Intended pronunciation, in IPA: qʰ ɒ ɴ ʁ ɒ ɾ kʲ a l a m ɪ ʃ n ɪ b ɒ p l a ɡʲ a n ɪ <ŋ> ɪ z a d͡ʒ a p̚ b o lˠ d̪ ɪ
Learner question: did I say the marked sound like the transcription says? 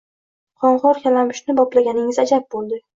yes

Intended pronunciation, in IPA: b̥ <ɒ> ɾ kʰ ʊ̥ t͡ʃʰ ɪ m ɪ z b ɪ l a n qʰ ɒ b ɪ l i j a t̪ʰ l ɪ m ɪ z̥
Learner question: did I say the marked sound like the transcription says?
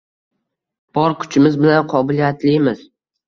yes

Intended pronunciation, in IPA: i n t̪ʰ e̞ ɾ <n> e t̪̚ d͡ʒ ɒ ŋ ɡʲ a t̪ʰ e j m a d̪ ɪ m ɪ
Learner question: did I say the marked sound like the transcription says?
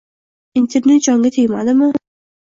yes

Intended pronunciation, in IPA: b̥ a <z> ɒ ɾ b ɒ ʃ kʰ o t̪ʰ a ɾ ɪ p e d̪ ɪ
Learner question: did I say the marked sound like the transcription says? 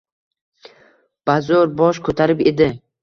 yes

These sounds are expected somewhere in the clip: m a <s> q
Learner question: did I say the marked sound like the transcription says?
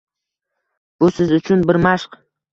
no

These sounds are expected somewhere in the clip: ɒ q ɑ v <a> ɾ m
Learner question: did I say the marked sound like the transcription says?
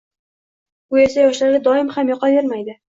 no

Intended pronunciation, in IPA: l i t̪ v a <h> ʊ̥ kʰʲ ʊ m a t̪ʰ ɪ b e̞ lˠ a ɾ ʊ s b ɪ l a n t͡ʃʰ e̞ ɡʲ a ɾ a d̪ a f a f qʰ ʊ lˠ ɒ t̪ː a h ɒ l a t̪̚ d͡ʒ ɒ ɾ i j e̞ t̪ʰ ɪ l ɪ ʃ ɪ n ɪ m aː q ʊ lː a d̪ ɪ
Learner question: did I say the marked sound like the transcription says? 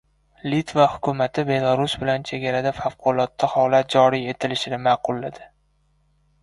yes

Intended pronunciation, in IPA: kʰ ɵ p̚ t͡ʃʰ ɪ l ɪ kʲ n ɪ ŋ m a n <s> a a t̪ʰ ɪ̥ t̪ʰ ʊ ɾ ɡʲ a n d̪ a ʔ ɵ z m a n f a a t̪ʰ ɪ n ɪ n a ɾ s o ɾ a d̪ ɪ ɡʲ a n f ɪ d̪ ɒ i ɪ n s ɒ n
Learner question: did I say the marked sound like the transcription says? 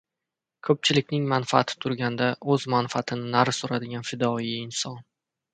no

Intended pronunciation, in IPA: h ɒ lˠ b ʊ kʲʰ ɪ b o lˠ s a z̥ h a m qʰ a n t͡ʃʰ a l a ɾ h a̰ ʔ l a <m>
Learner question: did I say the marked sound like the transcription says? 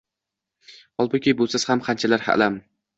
yes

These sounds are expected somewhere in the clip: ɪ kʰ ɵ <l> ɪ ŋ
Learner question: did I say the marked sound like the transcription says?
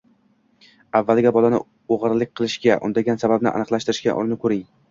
no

